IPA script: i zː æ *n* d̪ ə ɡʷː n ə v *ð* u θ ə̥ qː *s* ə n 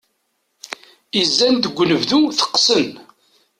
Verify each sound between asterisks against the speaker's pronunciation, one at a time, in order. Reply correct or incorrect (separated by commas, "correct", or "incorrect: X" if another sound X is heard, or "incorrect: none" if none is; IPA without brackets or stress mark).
correct, correct, correct